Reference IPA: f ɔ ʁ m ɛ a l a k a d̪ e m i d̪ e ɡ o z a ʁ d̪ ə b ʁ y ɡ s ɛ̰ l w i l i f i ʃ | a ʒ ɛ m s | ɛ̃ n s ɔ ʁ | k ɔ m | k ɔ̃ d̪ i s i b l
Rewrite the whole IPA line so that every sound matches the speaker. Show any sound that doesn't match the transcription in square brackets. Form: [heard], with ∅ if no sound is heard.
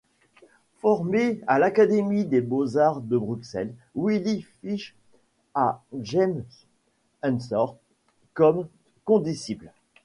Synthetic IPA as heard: f ɔ ʁ m [e] a l a k a d̪ e m i d̪ e [b] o z a ʁ d̪ ə b ʁ y [k] s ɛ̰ l w i l i f i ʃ | a ʒ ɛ m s | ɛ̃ n s ɔ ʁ | k ɔ m | k ɔ̃ d̪ i s i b l